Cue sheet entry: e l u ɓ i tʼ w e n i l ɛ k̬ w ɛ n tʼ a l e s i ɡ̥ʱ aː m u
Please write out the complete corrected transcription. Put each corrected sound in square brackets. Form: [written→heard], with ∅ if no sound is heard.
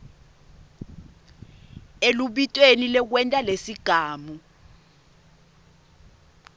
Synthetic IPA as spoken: e l u ɓ i tʼ w e n i l ɛ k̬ w ɛ n tʼ a l e s i ɡ̥ʱ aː m u